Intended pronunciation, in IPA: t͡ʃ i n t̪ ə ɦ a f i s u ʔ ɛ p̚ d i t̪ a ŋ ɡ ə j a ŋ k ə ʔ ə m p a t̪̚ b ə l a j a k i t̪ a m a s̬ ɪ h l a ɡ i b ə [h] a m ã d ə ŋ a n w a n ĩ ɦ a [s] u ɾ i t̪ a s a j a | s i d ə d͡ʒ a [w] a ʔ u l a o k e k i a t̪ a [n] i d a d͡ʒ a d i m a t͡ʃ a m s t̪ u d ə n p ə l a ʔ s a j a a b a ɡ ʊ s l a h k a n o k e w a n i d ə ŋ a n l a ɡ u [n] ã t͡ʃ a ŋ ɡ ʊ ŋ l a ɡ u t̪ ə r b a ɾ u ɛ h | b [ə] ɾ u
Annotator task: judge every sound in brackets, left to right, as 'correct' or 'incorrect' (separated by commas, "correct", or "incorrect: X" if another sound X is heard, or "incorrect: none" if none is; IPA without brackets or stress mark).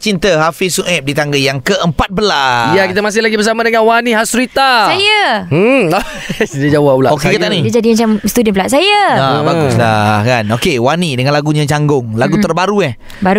incorrect: s, correct, correct, correct, incorrect: ɲ, incorrect: a